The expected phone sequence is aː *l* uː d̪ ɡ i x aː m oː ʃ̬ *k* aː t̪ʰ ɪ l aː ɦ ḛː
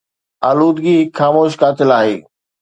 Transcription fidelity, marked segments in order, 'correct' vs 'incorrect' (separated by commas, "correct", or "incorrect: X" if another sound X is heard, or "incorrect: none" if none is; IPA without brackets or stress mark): correct, correct